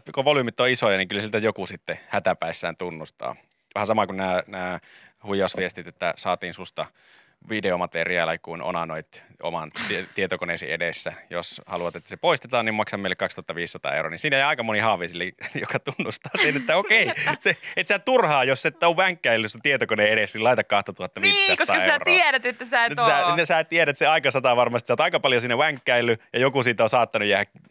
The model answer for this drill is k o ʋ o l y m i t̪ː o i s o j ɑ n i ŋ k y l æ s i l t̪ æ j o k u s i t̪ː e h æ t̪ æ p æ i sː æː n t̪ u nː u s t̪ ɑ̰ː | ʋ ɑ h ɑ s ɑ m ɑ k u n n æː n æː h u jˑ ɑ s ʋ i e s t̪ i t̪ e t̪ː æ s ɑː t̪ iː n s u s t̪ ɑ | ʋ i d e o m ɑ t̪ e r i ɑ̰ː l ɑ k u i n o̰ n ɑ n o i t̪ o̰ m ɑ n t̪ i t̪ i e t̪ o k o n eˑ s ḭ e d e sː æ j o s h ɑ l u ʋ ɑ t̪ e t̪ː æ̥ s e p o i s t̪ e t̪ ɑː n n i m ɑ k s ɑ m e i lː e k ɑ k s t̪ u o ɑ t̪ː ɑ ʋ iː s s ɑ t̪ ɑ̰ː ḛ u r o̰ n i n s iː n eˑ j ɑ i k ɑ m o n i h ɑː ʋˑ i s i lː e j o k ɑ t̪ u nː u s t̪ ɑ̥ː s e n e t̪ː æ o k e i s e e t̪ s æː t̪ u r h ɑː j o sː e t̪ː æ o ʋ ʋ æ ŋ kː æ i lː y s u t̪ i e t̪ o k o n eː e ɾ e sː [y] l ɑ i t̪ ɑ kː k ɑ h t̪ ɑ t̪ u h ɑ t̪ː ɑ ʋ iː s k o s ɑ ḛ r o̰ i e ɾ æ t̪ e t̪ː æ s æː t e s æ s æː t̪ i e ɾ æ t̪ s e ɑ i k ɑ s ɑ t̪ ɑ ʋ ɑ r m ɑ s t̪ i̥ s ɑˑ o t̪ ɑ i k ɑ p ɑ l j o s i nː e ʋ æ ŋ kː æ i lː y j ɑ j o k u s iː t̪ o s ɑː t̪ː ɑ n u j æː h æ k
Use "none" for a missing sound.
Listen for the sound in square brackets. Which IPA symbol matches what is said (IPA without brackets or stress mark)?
i